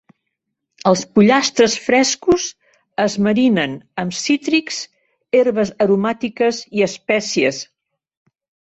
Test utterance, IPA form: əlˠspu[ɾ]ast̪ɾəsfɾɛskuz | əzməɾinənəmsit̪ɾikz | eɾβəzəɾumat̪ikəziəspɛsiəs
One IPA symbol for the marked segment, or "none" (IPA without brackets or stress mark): ʎ